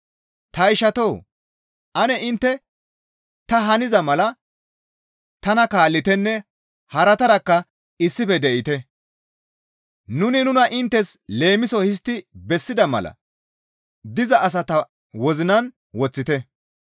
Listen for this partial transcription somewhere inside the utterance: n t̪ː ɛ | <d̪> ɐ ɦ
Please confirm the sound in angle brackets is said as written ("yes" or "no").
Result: no